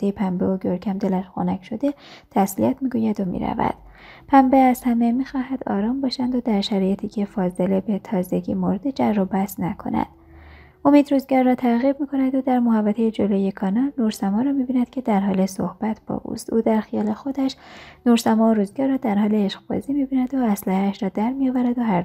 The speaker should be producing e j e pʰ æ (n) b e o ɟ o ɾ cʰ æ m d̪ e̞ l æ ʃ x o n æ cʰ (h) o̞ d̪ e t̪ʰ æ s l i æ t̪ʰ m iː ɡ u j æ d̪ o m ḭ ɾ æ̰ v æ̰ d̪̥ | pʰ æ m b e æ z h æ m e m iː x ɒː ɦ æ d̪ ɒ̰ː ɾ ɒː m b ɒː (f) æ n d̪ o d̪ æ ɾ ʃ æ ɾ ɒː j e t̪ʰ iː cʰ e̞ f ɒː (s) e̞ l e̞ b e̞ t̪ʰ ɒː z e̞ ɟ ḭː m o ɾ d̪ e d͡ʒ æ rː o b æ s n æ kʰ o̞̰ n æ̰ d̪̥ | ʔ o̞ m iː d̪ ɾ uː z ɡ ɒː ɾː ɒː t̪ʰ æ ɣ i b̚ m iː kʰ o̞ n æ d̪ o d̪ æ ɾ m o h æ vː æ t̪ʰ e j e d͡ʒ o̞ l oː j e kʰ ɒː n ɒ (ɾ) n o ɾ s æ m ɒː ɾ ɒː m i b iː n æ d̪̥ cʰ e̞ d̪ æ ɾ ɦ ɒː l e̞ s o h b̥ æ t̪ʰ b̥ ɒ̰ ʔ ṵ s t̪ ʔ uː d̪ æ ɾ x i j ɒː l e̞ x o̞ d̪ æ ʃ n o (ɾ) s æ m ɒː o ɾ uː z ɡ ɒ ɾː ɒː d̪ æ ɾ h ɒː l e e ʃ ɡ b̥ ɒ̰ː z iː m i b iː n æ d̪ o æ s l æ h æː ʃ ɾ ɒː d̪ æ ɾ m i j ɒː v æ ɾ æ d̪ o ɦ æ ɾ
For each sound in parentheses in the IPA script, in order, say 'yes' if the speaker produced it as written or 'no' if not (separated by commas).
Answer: no, no, no, no, no, yes